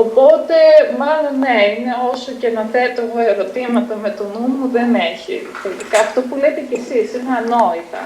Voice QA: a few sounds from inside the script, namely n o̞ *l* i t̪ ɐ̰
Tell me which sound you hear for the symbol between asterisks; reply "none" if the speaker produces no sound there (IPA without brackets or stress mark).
none